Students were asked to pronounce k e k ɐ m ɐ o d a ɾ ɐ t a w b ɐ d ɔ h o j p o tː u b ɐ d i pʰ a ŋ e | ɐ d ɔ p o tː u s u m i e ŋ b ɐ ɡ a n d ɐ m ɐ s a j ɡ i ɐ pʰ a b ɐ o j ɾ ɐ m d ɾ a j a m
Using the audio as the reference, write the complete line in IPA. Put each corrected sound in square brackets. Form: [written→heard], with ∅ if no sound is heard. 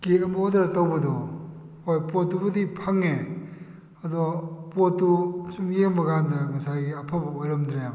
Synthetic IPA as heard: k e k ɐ m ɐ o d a ɾ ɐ t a w b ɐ d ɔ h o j p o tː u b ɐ d i pʰ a ŋ e | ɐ d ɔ p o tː u s u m [i→j] e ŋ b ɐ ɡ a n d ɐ [m→ŋ] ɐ s a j ɡ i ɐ pʰ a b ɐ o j ɾ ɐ m d ɾ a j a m